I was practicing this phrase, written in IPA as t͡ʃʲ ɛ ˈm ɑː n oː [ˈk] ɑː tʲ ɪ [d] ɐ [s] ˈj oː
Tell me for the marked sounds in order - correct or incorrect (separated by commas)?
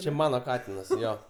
correct, incorrect, correct